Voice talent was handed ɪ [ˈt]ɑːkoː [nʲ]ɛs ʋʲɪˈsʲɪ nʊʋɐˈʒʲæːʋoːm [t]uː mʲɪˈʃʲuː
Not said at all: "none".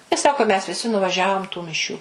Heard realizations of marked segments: s, mʲ, t

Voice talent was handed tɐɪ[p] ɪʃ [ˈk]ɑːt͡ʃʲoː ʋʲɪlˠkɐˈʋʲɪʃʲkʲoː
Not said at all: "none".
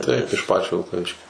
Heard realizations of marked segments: p, p

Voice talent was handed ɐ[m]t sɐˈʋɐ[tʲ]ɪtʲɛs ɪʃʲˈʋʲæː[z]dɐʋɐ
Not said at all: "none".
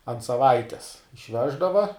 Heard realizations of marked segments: n, none, ʒ

